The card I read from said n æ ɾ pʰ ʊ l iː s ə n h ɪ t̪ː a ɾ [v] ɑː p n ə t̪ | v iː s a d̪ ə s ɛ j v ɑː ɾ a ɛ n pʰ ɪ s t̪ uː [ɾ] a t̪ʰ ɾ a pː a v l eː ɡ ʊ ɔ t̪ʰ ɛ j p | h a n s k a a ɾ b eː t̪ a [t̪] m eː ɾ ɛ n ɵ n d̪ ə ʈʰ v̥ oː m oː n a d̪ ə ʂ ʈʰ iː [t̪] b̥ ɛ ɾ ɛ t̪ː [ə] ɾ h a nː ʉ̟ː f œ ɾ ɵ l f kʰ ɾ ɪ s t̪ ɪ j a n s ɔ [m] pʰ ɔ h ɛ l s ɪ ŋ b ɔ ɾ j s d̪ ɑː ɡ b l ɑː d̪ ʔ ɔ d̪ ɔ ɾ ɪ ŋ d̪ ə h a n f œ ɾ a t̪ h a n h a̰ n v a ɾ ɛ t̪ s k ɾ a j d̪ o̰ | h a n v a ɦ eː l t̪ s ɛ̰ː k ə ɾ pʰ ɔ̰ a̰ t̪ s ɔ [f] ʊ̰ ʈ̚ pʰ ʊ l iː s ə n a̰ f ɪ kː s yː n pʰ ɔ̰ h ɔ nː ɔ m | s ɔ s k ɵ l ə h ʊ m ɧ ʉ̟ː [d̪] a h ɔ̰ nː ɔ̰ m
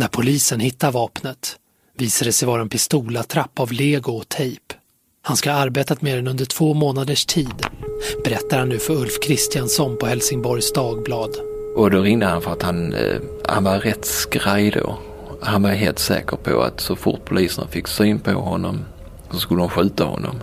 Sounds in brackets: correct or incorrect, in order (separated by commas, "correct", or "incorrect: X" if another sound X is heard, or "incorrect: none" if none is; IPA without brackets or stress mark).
correct, incorrect: l, correct, incorrect: d̪, incorrect: a, incorrect: n, correct, incorrect: t̪